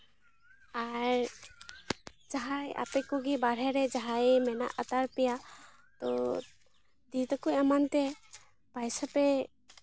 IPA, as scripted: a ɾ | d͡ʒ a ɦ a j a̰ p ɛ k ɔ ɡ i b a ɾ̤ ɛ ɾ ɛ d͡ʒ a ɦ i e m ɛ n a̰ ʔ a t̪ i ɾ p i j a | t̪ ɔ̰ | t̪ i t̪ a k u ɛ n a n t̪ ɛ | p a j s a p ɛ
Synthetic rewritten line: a ɾ | d͡ʒ a ɦ a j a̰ p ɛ k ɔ ɡ i b a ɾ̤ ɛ ɾ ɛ d͡ʒ a ɦ a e m ɛ n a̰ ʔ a t̪ a ɾ p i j a | t̪ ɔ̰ | d̪ i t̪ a k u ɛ m a n t̪ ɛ | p a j s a p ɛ